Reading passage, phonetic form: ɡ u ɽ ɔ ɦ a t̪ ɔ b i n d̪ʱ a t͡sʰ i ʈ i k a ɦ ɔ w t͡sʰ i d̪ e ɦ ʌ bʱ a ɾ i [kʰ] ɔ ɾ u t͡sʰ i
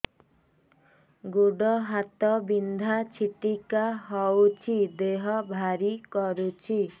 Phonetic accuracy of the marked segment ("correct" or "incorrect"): incorrect